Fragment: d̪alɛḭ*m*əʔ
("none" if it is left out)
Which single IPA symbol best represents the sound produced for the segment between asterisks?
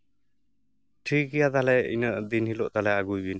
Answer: n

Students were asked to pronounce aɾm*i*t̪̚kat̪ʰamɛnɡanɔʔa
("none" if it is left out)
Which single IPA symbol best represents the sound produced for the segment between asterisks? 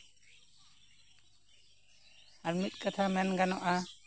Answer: i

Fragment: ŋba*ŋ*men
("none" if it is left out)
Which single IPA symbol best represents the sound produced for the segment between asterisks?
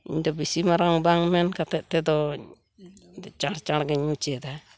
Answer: ŋ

